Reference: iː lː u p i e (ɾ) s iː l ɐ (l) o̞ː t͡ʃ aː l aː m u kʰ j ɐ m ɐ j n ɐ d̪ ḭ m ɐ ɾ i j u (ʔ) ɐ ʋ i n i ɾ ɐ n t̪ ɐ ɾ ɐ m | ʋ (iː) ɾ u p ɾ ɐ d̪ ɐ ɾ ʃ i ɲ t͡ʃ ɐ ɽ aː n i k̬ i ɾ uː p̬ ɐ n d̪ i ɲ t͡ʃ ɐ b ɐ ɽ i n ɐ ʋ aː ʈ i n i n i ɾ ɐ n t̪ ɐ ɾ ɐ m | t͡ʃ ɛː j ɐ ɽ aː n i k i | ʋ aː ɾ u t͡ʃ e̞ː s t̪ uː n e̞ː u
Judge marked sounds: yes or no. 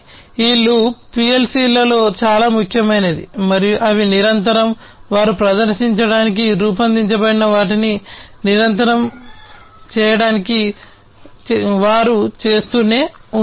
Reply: no, yes, yes, no

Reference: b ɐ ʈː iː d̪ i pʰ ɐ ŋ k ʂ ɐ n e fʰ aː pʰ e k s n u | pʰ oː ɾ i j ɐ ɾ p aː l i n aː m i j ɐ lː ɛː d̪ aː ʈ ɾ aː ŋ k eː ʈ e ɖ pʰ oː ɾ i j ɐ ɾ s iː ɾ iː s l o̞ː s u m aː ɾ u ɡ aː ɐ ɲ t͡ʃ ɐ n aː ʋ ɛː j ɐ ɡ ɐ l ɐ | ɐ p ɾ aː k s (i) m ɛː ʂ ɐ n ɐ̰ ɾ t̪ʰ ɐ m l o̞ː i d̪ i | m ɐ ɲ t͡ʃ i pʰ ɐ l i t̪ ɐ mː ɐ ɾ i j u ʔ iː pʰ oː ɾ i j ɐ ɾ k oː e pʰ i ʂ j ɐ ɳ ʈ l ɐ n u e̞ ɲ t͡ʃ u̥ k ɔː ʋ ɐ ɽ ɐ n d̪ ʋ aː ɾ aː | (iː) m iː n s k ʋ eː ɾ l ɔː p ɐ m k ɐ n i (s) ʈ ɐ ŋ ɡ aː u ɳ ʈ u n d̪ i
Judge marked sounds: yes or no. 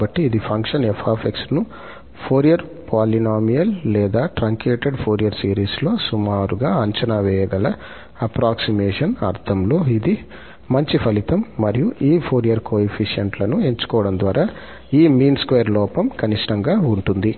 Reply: yes, yes, no

